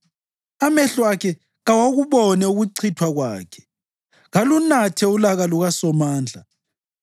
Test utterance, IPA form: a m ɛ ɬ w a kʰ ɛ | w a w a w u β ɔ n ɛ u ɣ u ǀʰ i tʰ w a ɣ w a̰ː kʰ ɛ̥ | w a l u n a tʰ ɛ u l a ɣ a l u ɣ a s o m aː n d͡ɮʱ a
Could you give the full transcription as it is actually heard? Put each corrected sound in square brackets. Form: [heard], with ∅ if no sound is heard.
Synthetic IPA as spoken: a m ɛ ɬ w a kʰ ɛ | [ɣ] a w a [ɣ] u β ɔ n ɛ u ɣ u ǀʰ i tʰ w a ɣ w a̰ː kʰ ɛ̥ | [ɣ] a l u n a tʰ ɛ u l a ɣ a l u ɣ a s [ɔ] m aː n d͡ɮʱ a

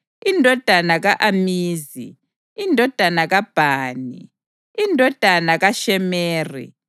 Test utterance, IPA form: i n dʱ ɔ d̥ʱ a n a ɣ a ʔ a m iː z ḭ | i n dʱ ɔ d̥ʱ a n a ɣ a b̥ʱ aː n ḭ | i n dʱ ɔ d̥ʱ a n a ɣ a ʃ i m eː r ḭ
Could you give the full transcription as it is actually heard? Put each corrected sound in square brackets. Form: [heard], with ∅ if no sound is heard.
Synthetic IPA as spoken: i n dʱ ɔ d̥ʱ a n a ɣ a ʔ a m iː z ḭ | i n dʱ ɔ d̥ʱ a n a ɣ a b̥ʱ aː n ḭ | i n dʱ ɔ d̥ʱ a n a ɣ a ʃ [ɛ] m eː r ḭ

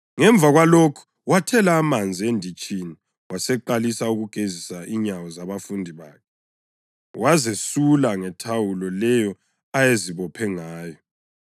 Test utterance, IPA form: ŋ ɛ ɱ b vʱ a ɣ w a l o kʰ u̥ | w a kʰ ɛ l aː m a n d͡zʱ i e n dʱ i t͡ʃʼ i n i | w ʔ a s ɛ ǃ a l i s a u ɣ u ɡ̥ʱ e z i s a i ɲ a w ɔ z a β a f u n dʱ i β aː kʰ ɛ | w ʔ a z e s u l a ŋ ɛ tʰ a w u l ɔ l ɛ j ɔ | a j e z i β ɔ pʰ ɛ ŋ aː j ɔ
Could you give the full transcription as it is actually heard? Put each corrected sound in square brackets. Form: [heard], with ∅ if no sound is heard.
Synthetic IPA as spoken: ŋ ɛ ɱ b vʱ a ɣ w a l o kʰ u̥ | w a [tʰ] ɛ l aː m a n d͡zʱ i e n dʱ i t͡ʃʼ i n i | w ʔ a s ɛ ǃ a l i s a u ɣ u ɡ̥ʱ e z i s a i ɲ a w ɔ z a β a f u n dʱ i β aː kʰ ɛ | w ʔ a z e s u l a ŋ ɛ tʰ a w u l ɔ l ɛ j ɔ | a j e z i β ɔ pʰ ɛ ŋ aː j ɔ

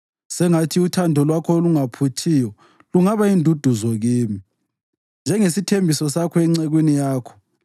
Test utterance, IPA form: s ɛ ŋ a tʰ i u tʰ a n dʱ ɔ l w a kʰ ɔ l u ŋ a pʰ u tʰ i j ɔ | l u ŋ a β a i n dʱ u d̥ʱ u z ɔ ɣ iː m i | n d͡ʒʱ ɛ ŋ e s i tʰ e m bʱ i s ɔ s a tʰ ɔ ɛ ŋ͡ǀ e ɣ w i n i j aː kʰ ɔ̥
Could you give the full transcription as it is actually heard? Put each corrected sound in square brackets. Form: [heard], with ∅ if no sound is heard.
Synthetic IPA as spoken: s ɛ ŋ a tʰ i u tʰ a n dʱ ɔ l w a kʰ ɔ l u ŋ a pʰ u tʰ i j ɔ | l u ŋ a β a i n dʱ u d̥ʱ u z ɔ ɣ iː m i | n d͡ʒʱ ɛ ŋ e s i tʰ e m bʱ i s ɔ s a [kʰ] ɔ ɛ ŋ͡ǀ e ɣ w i n i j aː kʰ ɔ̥

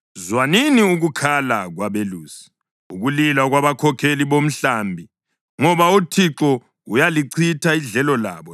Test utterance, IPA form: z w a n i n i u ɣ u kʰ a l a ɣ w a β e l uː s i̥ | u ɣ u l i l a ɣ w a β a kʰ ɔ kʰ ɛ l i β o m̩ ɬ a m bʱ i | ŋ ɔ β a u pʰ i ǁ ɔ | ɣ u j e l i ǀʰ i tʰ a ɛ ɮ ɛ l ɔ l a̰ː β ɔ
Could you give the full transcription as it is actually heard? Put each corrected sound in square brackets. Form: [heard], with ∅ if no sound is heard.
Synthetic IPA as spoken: z w a n i n i u ɣ u kʰ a l a ɣ w a β e l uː s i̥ | u ɣ u l i l a ɣ w a β a kʰ ɔ kʰ [e] l i β o m̩ ɬ a m bʱ i | ŋ ɔ β a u [tʰ] i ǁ ɔ | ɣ u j [a] l i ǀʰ i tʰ a [i] ɮ ɛ l ɔ l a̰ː β ɔ

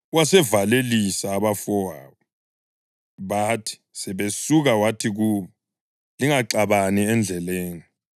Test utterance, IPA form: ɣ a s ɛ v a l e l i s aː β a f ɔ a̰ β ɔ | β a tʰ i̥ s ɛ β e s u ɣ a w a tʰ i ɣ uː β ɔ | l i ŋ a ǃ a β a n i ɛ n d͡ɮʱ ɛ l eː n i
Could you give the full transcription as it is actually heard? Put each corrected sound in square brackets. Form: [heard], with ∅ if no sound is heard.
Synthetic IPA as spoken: [w] a s ɛ v a l e l i s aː β a f ɔ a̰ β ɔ | β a tʰ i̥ s ɛ β e s u ɣ a w a tʰ i ɣ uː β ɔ | l i ŋ a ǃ a β a n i ɛ n d͡ɮʱ ɛ l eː n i

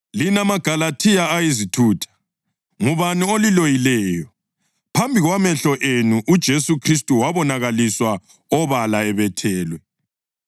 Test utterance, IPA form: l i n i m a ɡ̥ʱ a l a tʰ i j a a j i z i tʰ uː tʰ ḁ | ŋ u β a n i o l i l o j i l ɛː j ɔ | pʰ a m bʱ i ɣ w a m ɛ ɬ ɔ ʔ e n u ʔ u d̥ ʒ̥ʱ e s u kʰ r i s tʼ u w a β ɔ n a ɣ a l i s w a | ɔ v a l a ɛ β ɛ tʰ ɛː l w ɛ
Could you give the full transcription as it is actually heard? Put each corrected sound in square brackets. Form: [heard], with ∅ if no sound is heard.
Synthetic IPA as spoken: l i n [a] m a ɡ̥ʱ a l a tʰ i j a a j i z i tʰ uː tʰ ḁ | ŋ u β a n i o l i l o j i l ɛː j ɔ | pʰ a m bʱ i ɣ w a m ɛ ɬ ɔ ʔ e n u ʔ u d̥ ʒ̥ʱ e s u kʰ r i s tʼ u w a β ɔ n a ɣ a l i s w a | ɔ [β] a l a ɛ β ɛ tʰ ɛː l w ɛ

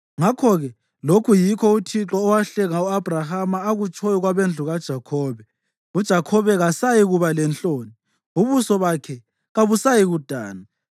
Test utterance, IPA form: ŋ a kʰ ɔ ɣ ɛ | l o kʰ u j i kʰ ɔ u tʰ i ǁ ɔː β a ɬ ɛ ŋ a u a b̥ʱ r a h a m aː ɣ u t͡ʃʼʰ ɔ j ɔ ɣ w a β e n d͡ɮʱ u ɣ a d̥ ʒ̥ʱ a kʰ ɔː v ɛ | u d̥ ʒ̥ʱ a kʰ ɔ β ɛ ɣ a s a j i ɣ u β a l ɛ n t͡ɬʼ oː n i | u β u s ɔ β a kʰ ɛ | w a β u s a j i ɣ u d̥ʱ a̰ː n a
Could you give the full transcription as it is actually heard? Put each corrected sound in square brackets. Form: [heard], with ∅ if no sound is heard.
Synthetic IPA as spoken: ŋ a kʰ ɔ ɣ ɛ | l o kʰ u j i kʰ ɔ u tʰ i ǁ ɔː [w] a ɬ ɛ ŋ a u a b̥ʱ r a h a m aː ɣ u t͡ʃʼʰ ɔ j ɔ ɣ w a β e n d͡ɮʱ u ɣ a d̥ ʒ̥ʱ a kʰ ɔː [β] ɛ | u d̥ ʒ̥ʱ a kʰ ɔ β ɛ ɣ a s a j i ɣ u β a l ɛ n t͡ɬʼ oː n i | u β u s ɔ β a kʰ ɛ | [ɣ] a β u s a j i ɣ u d̥ʱ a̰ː n a

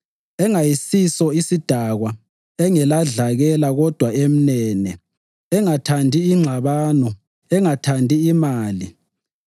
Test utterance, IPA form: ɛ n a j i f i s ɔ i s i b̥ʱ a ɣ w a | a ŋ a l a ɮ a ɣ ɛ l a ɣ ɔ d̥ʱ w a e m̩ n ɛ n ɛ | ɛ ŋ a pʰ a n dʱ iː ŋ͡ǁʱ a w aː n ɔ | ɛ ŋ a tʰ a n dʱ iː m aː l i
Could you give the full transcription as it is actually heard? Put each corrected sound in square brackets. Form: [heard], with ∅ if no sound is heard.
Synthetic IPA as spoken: ɛ [ŋ] a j i [s] i s ɔ i s i [d̥ʱ] a ɣ w a | [ɛ] ŋ [ɛ] l a ɮ a ɣ ɛ l a ɣ ɔ d̥ʱ w a e m̩ n ɛ n ɛ | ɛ ŋ a [tʰ] a n dʱ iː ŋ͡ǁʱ a [β] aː n ɔ | ɛ ŋ a tʰ a n dʱ iː m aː l i

